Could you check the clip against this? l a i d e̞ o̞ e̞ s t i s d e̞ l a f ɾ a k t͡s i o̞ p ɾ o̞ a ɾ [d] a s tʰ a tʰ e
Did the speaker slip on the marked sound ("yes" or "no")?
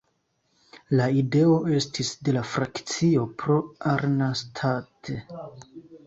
yes